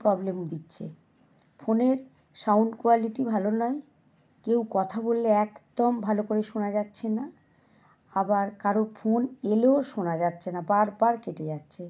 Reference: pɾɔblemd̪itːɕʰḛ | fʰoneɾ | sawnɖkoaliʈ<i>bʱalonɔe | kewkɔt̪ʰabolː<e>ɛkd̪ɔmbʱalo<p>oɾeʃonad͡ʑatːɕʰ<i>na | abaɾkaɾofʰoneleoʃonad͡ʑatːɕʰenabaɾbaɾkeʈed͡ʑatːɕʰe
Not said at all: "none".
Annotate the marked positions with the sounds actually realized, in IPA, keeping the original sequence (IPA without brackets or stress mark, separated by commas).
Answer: i, e, k, e